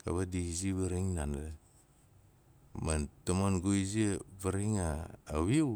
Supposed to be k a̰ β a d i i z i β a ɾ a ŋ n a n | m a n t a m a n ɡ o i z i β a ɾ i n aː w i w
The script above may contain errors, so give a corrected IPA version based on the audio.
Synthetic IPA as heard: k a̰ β a d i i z i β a ɾ i ŋ n a n | m a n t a m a n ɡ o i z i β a ɾ i ŋ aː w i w